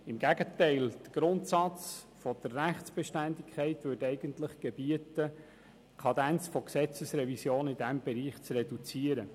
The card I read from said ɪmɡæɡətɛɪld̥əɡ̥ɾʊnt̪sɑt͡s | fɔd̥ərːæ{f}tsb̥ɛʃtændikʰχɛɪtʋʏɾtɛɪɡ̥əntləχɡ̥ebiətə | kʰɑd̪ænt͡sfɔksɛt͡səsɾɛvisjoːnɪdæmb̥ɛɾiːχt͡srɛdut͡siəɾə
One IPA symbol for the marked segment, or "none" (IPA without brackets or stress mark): χ